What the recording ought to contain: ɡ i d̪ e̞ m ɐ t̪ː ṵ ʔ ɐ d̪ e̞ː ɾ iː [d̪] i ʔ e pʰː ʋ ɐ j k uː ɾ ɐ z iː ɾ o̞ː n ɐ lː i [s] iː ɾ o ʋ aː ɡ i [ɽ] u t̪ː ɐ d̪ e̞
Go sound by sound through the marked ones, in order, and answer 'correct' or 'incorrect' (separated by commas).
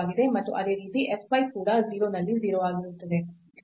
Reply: incorrect, incorrect, incorrect